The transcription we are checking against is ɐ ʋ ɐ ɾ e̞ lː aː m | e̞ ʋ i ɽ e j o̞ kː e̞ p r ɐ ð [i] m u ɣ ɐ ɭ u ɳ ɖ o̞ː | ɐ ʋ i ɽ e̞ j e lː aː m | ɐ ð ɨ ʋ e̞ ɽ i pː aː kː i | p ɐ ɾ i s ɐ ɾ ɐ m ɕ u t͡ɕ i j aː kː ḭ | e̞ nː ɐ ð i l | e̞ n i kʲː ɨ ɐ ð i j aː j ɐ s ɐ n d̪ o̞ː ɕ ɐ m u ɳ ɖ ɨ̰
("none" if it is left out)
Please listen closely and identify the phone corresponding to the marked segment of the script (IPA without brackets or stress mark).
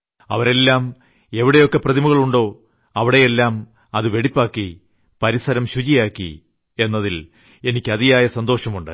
i